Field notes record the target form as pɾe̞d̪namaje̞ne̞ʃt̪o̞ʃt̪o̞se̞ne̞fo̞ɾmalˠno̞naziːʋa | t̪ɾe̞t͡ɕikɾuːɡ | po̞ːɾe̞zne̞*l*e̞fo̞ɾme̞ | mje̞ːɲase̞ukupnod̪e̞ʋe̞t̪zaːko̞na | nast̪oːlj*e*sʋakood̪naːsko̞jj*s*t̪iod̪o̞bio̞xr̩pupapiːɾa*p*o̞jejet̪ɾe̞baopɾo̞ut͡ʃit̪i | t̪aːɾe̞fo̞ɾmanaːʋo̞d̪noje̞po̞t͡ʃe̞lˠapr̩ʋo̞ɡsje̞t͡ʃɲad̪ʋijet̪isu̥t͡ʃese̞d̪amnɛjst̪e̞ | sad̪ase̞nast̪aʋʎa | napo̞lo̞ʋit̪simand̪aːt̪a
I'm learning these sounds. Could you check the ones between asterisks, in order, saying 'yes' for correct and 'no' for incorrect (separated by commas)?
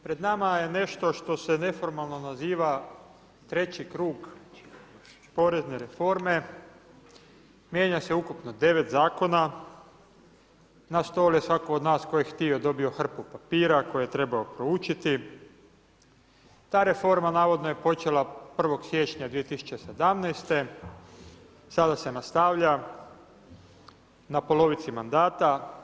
no, yes, no, no